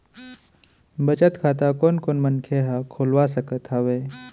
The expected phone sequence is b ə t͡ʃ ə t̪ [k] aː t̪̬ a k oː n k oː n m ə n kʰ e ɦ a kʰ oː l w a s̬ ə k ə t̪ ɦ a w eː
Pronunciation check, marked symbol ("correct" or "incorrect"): incorrect